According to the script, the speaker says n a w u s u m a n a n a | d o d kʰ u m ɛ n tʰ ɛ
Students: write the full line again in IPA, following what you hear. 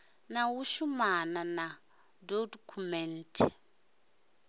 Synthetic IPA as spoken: n a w u ʃ u m a n a n a | d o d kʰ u m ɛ n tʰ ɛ